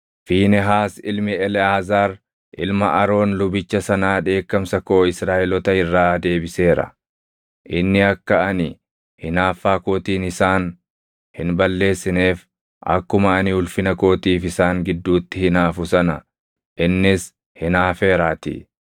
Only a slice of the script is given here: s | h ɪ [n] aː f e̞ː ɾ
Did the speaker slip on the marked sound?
no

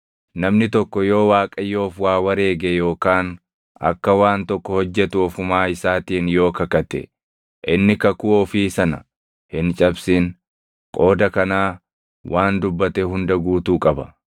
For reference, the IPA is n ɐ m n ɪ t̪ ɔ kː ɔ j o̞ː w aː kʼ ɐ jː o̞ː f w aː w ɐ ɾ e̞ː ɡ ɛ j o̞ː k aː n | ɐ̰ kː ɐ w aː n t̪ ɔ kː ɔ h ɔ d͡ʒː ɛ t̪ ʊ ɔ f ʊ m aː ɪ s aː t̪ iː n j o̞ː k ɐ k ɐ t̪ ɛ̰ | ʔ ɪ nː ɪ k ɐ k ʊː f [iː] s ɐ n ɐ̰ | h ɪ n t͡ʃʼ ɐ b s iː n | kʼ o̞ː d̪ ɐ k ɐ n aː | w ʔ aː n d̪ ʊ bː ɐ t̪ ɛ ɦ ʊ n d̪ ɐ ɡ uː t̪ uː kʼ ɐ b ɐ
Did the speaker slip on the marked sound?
no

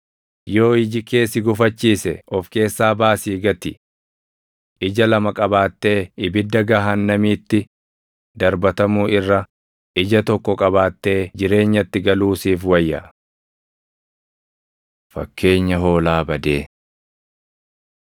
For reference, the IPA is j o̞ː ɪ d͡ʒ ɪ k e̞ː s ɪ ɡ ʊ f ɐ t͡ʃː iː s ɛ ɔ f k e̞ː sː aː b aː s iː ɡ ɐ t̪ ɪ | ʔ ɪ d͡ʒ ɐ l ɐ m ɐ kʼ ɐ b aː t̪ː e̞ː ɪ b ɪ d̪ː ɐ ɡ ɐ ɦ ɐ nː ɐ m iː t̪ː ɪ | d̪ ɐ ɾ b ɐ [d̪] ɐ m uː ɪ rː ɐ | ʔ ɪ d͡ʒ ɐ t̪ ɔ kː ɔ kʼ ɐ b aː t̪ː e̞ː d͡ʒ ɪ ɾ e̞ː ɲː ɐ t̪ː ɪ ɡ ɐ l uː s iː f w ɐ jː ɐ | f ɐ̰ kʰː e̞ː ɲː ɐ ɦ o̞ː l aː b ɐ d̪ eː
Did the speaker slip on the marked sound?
yes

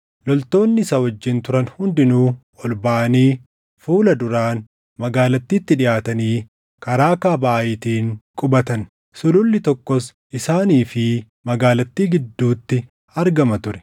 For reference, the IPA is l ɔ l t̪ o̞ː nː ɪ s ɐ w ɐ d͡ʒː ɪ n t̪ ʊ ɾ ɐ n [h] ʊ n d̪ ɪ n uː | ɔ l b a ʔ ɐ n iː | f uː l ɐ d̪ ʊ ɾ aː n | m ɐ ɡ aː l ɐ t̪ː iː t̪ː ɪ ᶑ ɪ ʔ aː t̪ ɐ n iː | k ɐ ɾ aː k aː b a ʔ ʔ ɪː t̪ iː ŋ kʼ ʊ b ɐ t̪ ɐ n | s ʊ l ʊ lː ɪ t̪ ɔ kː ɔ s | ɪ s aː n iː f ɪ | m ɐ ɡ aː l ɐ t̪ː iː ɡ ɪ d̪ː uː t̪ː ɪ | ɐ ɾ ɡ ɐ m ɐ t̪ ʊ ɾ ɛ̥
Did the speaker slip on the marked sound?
no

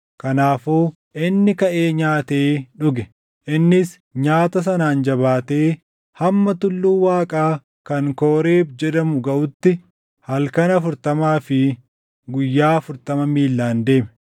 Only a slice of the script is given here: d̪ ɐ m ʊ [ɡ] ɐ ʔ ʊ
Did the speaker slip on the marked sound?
no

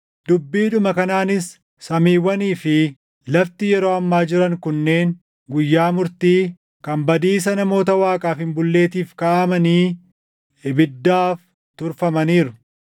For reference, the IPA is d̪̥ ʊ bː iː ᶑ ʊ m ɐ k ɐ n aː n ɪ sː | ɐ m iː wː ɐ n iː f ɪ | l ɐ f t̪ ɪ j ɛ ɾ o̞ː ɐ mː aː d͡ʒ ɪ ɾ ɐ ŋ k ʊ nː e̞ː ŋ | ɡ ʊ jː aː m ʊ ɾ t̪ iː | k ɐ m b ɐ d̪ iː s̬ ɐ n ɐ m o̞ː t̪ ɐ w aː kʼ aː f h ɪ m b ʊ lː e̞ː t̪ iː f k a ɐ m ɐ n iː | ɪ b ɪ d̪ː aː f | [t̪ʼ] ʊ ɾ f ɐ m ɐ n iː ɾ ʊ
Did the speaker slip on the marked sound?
yes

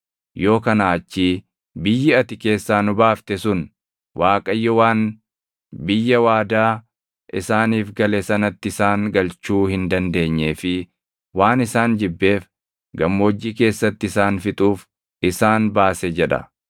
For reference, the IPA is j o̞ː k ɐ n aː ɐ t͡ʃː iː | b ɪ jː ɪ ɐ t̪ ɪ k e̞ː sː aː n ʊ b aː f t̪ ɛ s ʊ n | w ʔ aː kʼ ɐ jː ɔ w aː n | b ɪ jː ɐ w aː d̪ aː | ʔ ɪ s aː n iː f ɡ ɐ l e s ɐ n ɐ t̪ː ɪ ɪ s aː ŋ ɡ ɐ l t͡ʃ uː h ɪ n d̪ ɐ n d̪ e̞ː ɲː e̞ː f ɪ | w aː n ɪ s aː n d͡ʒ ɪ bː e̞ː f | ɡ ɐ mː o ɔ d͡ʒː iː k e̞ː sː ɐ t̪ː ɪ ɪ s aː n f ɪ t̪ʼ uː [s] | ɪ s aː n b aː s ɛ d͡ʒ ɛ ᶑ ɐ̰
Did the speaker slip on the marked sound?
yes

